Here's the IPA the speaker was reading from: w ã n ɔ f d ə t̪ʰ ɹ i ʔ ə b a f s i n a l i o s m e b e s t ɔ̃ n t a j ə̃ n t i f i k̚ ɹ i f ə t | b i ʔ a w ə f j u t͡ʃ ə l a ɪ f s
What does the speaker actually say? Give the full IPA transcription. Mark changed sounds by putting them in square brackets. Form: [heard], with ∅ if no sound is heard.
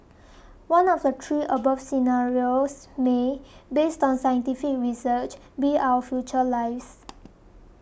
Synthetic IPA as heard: w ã n ɔ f d ə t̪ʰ ɹ i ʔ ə b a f s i n a [ɹ] i o s m e b e s t ɔ̃ n [s] a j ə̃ n t i f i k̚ ɹ i [s] ə [t͡ʃ] | b i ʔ a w ə f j u t͡ʃ ə l a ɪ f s